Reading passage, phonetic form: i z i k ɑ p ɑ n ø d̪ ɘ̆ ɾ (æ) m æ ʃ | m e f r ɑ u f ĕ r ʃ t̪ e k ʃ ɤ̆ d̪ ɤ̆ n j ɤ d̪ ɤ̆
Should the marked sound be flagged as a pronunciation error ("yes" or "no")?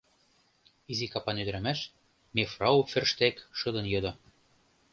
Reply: no